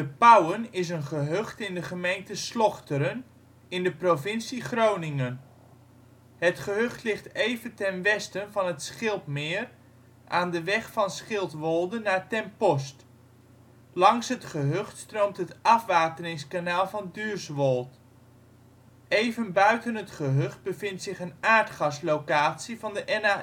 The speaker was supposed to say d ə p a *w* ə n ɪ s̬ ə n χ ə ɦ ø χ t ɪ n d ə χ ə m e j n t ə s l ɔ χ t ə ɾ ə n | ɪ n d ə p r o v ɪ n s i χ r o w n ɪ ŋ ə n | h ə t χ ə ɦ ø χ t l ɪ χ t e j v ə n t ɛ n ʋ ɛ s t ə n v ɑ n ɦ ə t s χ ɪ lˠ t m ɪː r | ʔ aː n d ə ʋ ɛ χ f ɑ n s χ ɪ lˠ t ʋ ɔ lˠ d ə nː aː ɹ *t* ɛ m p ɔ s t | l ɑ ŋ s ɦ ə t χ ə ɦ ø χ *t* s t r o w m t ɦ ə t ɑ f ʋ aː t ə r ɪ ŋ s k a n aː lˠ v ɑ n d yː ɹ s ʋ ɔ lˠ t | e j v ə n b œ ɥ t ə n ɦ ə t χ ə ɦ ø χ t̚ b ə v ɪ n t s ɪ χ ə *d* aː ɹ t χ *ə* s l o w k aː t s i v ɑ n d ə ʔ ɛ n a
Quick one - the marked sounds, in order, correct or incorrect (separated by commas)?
correct, correct, correct, incorrect, incorrect